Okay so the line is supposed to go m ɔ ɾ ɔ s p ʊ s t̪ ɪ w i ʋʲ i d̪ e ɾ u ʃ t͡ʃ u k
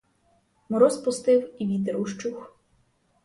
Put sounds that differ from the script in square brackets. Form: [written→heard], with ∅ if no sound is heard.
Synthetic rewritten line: m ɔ ɾ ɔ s p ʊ s t̪ ɪ w i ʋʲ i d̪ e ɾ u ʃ t͡ʃ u [k→x]